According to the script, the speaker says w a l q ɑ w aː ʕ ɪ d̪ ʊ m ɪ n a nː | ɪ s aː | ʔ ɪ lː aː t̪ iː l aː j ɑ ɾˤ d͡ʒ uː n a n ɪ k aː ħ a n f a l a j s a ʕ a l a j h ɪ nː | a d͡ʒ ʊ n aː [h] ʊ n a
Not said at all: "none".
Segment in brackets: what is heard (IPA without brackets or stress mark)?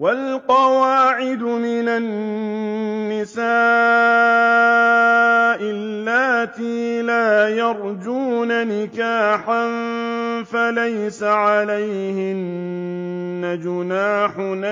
ħ